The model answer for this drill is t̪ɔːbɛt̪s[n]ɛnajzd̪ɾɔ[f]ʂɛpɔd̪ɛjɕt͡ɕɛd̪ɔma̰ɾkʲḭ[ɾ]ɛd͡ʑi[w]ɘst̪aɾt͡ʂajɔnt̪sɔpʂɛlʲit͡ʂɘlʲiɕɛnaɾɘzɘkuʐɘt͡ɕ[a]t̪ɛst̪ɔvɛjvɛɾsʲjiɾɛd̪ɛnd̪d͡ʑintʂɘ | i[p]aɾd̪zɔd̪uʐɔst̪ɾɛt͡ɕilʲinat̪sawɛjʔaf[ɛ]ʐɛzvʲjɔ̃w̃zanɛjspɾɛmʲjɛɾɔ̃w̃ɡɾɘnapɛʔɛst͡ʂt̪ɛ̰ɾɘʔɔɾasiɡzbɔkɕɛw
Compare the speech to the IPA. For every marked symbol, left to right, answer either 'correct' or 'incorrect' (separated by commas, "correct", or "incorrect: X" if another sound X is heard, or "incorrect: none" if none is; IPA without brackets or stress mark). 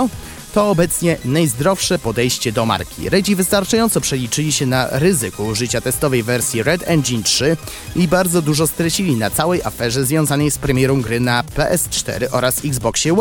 incorrect: ɲ, correct, correct, incorrect: v, correct, incorrect: b, correct